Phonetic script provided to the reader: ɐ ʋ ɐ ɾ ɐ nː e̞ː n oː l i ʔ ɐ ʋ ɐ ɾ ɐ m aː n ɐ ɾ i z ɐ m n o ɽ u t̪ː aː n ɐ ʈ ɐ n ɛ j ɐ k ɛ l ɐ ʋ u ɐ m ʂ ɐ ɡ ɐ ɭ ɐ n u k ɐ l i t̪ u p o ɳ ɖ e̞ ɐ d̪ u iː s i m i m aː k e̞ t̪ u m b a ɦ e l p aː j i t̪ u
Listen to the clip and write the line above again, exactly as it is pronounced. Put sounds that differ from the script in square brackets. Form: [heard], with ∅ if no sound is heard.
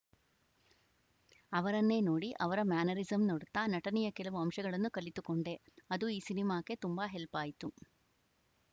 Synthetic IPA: ɐ ʋ ɐ ɾ ɐ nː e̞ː n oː [ɽ] i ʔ ɐ ʋ ɐ ɾ ɐ m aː n ɐ ɾ i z ɐ m n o ɽ u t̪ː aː n ɐ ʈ ɐ n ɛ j ɐ k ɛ l ɐ ʋ u ɐ m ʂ ɐ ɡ ɐ ɭ ɐ [nː] u k ɐ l i t̪ u [k] o ɳ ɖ e̞ ɐ d̪ u iː s i [n] i m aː k e̞ t̪ u m b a ɦ e l p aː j i t̪ u